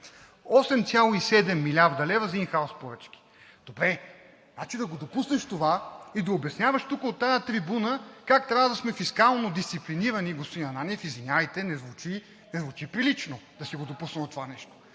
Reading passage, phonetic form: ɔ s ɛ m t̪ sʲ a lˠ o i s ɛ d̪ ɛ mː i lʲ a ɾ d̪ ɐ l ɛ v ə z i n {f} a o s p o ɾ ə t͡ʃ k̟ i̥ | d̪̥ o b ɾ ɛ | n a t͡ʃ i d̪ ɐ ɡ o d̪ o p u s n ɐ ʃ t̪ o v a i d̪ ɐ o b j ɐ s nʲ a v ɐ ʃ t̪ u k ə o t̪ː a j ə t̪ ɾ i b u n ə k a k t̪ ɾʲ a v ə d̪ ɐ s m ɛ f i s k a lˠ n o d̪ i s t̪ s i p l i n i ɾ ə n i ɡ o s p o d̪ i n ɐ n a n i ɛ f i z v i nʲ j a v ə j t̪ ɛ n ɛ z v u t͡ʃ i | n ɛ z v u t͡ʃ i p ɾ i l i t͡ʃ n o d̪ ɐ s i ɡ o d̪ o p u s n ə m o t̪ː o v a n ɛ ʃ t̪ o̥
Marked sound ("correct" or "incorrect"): incorrect